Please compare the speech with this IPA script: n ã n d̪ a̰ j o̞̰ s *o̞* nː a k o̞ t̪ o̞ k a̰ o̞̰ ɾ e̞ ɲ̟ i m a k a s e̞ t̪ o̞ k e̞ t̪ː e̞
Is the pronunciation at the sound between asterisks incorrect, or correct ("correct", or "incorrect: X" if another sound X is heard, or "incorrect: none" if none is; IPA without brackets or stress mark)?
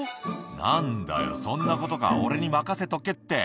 incorrect: õ̞